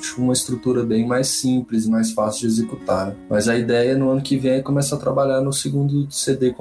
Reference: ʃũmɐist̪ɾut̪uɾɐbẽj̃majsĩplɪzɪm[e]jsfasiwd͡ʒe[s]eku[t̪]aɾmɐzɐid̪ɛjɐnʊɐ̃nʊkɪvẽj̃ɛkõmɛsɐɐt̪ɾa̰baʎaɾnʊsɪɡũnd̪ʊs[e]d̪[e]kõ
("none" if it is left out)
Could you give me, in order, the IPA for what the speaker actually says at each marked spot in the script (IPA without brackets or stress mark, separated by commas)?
a, z, t̪, e, e